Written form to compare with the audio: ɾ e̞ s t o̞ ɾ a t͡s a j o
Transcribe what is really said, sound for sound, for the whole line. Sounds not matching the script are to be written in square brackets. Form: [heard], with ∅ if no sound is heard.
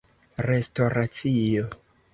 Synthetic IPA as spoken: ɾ e̞ s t o̞ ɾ a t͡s [i] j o

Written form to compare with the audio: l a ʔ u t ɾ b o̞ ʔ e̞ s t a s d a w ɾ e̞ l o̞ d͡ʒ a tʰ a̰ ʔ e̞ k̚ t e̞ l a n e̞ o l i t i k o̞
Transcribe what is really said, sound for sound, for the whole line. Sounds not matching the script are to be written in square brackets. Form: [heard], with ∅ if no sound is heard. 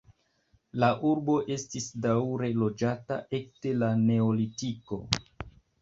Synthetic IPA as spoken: l a ʔ u [∅] ɾ b o̞ ʔ e̞ s t [i] s d a w ɾ e̞ l o̞ d͡ʒ a [t] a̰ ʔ e̞ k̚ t e̞ l a n e̞ o l i t i k o̞

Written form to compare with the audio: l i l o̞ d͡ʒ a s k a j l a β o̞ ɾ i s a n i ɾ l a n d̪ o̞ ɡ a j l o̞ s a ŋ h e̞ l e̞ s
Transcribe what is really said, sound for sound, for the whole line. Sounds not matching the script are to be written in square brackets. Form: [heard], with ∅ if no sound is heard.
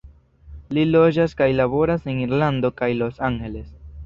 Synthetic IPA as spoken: l i l o̞ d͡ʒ a s k a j l a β o̞ ɾ [a] s [e] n i ɾ l a n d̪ o̞ [k] a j l o̞ s a ŋ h e̞ l e̞ s

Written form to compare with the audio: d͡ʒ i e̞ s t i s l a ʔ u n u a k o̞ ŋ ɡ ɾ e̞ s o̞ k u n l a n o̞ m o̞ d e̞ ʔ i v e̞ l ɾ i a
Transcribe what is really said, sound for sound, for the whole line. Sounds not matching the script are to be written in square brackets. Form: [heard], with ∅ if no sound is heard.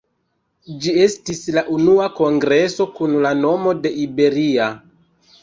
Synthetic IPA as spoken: d͡ʒ i e̞ s t i s l a ʔ u n u a k o̞ ŋ ɡ ɾ e̞ s o̞ k u n l a n o̞ m o̞ d e̞ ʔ i [b] e̞ [∅] ɾ i a

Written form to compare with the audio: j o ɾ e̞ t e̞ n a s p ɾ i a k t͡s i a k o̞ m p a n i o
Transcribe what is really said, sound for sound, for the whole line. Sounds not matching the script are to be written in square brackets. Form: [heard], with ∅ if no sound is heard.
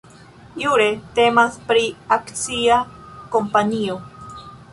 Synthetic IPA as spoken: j [u] ɾ e̞ t e̞ [m] a s p ɾ i a k t͡s i a k o̞ m p a n i o

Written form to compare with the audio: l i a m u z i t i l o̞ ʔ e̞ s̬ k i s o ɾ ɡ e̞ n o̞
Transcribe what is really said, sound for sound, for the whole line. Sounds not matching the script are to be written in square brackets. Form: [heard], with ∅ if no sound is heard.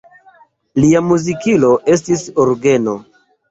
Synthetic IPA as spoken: l i a m u z i [k] i l o̞ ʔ e̞ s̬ [t] i s o ɾ ɡ e̞ n o̞

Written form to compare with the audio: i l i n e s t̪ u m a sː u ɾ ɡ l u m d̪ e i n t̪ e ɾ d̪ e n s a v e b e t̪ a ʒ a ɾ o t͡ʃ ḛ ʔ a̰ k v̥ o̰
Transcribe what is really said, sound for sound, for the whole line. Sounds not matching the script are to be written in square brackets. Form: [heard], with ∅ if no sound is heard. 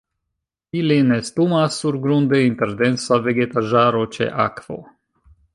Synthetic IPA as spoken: i l i n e s t̪ u m a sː u ɾ ɡ [ɾ] u [n] d̪ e i n t̪ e ɾ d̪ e n s a v e [ɡ] e t̪ a ʒ a ɾ o t͡ʃ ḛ ʔ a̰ k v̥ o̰

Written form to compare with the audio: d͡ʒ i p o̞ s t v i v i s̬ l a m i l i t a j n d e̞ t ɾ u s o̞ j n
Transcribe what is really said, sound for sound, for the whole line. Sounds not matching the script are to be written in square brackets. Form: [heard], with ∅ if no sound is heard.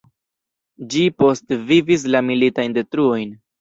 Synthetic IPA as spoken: d͡ʒ i p o̞ s t v i v i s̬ l a m i l i t a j n d e̞ t ɾ u [∅] o̞ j n

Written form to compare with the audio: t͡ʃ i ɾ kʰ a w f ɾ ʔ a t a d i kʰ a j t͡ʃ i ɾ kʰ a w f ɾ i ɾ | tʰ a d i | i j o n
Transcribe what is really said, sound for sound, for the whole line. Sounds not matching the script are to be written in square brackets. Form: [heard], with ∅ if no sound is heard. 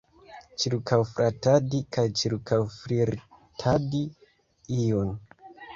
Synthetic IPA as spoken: t͡ʃ i ɾ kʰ a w f ɾ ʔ a t a d i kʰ a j t͡ʃ i ɾ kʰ a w f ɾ i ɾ | tʰ a d i | i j o n

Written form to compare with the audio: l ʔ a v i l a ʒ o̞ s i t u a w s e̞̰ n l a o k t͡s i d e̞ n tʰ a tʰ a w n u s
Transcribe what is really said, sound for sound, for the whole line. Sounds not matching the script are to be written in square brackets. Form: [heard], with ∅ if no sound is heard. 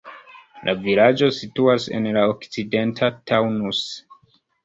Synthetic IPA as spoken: l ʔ a v i l a [d͡ʒ] o̞ s i t u a [∅] s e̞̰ n l a o k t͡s i d e̞ n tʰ a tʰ a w n u s

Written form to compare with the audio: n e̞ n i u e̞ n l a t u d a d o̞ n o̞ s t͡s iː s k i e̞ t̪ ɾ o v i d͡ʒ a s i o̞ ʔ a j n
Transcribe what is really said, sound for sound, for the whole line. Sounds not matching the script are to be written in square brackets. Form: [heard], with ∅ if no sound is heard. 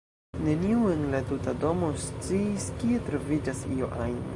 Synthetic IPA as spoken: n e̞ n i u e̞ n l a t u [t] a d o̞ [m] o̞ s t͡s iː s k i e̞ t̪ ɾ o v i d͡ʒ a s i o̞ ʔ a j n

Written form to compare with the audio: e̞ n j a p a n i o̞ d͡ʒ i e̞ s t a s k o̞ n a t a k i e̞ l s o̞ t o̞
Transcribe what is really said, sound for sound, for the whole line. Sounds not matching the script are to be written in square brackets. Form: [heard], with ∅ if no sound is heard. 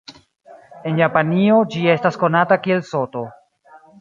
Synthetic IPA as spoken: e̞ n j a p a n i o̞ d͡ʒ i e̞ s t a s k o̞ n a t a k i e̞ l s o̞ t o̞

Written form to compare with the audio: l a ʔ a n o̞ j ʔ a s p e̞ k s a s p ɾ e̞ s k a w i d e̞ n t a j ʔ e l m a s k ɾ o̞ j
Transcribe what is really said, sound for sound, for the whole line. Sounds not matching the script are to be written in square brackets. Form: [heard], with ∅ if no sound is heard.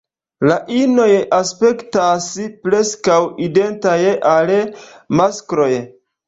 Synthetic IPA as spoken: l a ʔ [i] n o̞ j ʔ a s p e̞ k [t] a s p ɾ e̞ s k a w i d e̞ n t a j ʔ [a] l m a s k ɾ o̞ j

